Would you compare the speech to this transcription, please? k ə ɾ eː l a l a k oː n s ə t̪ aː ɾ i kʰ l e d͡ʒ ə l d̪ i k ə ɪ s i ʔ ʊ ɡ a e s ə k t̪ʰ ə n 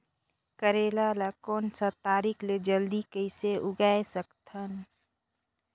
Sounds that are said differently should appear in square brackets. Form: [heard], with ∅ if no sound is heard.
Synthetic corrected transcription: k ə ɾ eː l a l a k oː n s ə t̪ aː ɾ i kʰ l e d͡ʒ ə l d̪ i k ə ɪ s [e] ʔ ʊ ɡ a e s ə k t̪ʰ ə n